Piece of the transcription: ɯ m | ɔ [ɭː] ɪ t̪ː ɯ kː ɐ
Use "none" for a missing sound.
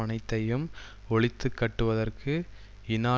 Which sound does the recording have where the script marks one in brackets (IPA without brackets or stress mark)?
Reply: ɭ